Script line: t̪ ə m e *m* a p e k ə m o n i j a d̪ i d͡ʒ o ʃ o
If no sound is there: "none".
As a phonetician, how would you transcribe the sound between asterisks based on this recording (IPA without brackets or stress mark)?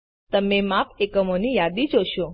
m